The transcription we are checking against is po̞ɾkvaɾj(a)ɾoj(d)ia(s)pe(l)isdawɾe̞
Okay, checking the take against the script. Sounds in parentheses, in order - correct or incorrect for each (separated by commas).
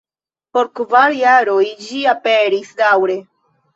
correct, incorrect, incorrect, incorrect